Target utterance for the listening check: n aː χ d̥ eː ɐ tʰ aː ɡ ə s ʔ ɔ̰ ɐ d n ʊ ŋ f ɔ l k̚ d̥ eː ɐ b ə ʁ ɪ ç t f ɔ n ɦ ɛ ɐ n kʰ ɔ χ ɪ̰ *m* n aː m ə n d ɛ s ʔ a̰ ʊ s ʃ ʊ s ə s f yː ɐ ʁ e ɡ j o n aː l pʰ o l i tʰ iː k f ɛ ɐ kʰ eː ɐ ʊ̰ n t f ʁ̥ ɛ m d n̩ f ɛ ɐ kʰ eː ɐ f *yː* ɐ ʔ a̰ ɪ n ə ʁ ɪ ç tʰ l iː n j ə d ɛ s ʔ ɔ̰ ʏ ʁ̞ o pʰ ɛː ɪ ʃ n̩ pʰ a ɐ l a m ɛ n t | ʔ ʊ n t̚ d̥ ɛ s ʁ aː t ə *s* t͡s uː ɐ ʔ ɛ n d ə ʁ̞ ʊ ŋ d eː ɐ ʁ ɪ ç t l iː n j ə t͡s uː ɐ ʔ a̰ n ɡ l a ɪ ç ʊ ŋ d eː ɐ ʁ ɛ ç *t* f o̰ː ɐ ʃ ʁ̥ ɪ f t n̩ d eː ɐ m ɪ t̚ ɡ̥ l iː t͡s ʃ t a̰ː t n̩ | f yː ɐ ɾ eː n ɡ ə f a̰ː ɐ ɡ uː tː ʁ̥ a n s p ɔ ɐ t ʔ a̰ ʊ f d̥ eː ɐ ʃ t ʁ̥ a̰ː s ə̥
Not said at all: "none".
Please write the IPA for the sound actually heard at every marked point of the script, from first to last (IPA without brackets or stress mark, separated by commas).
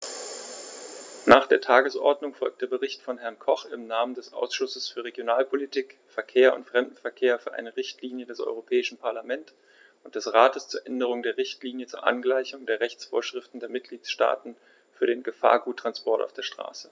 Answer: m, yː, s, t͡s